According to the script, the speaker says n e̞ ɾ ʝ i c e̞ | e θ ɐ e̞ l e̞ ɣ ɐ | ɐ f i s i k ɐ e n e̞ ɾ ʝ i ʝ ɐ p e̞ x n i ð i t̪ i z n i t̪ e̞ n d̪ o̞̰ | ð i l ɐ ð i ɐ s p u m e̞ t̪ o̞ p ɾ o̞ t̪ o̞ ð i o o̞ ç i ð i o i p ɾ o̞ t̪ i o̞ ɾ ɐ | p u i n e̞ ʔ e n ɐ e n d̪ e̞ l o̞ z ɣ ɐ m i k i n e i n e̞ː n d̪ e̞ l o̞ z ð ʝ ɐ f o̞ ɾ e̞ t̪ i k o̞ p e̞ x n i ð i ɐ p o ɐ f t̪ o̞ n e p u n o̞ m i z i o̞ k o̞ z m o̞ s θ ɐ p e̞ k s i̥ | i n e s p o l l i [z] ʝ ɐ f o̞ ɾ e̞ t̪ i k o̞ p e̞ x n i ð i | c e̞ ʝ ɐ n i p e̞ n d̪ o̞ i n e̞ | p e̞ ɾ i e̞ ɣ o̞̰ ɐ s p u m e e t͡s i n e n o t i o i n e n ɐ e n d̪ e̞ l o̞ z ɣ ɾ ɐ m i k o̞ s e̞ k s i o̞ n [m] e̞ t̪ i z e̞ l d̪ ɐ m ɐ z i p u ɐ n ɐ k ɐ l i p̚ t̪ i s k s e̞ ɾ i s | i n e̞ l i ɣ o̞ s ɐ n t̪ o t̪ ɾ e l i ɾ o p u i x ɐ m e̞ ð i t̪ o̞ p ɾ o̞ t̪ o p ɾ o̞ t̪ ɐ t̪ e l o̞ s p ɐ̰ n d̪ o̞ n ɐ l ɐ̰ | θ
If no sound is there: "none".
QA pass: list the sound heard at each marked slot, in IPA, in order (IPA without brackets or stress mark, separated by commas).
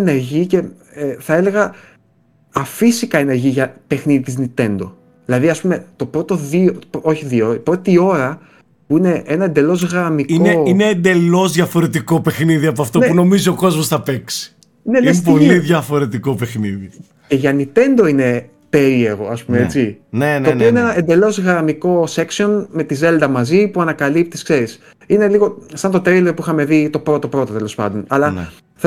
ð, m